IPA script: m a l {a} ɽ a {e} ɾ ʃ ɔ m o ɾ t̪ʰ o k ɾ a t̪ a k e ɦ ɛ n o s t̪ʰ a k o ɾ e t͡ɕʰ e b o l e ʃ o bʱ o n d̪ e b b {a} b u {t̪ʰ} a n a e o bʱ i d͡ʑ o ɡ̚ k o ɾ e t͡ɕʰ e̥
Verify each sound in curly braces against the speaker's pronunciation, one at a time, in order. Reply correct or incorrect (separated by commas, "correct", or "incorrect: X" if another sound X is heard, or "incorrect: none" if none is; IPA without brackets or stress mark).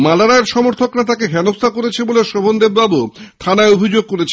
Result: correct, correct, correct, correct